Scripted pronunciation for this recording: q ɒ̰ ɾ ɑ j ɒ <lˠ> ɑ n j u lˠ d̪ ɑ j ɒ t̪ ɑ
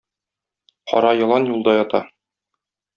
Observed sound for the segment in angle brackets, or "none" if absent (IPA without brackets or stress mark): lˠ